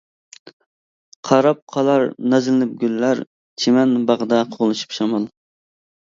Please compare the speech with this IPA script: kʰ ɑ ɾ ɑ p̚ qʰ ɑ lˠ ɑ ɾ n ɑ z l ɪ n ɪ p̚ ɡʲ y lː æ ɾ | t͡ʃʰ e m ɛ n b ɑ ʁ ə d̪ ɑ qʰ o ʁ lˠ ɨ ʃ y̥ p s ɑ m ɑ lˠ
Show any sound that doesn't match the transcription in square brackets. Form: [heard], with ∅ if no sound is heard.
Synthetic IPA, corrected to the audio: [qʰ] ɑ ɾ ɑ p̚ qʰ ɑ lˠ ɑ ɾ n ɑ z l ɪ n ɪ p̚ ɡʲ y lː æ ɾ | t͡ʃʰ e m ɛ n b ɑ ʁ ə d̪ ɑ qʰ o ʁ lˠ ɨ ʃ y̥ p [ʃ] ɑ m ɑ lˠ

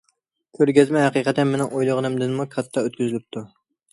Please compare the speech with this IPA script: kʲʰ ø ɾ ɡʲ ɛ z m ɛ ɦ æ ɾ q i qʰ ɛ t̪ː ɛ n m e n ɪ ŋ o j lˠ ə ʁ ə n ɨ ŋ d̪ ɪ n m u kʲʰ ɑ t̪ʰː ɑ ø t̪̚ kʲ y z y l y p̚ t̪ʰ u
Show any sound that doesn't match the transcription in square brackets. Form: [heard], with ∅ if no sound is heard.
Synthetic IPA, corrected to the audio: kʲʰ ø ɾ ɡʲ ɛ z m ɛ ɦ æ [∅] q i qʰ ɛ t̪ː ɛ n m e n ɪ ŋ o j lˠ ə ʁ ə n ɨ [m] d̪ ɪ n m u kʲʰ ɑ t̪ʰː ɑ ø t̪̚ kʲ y z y l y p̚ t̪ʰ u

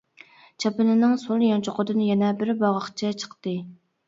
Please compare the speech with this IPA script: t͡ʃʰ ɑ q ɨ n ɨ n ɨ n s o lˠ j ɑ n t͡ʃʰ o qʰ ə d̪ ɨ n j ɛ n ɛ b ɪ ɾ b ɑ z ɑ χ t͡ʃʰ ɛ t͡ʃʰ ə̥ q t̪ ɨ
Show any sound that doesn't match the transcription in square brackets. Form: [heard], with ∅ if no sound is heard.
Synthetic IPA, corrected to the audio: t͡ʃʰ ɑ [p] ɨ n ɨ n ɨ [ŋ] s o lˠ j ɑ n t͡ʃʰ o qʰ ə d̪ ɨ n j ɛ n ɛ b ɪ ɾ b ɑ [ʁ] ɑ χ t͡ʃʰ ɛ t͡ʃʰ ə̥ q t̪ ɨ

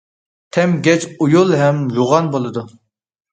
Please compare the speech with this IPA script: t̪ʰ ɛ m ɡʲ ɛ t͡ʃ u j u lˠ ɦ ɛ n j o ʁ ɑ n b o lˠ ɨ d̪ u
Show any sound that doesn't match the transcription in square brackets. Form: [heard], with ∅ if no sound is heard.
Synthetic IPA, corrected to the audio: t̪ʰ ɛ m ɡʲ ɛ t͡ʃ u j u lˠ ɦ ɛ [m] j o ʁ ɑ n b o lˠ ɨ d̪ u

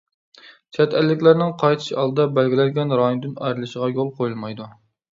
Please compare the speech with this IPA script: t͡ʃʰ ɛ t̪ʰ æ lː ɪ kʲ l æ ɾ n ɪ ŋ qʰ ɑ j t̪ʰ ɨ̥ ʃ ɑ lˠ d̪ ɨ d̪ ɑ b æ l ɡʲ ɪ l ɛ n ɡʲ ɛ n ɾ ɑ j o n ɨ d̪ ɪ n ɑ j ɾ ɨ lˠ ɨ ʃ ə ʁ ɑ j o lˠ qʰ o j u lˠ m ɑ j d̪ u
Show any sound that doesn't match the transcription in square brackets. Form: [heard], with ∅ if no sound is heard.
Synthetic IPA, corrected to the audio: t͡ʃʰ ɛ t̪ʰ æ lː ɪ kʲ l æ ɾ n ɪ ŋ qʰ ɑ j t̪ʰ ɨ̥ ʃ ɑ lˠ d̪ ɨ d̪ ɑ b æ l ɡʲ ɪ l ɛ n ɡʲ ɛ n ɾ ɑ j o n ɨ d̪ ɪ n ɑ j ɾ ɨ lˠ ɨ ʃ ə ʁ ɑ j o lˠ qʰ o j u lˠ m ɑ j d̪ u

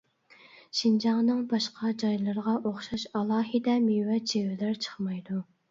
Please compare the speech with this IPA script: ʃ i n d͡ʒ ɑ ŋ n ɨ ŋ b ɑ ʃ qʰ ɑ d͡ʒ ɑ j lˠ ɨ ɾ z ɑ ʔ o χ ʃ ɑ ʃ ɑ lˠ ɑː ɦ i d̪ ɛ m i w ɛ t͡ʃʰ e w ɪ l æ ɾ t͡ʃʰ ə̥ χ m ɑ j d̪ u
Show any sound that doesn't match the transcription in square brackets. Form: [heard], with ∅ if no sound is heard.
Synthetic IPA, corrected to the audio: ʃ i n d͡ʒ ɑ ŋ n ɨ ŋ b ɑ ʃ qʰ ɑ d͡ʒ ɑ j lˠ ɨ ɾ [ʁ] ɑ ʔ o χ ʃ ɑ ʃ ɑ lˠ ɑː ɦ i d̪ ɛ m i w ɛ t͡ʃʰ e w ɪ l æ ɾ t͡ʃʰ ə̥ χ m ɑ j d̪ u

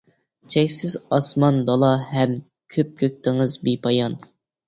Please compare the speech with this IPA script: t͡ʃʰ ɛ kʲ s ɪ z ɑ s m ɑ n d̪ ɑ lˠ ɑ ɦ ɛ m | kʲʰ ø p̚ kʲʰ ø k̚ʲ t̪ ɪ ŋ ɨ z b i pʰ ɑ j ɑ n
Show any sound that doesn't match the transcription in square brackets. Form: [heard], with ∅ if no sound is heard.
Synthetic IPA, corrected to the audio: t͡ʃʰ ɛ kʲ s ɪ z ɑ s m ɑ n d̪ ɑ lˠ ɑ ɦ ɛ m | kʲʰ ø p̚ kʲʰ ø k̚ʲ t̪ ɪ ŋ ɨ z b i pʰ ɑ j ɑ n

